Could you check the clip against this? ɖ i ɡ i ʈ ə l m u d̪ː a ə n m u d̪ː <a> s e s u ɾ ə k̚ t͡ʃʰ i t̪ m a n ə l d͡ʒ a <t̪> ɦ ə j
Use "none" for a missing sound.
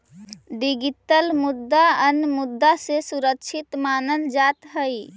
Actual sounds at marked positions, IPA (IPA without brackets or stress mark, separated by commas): a, t̪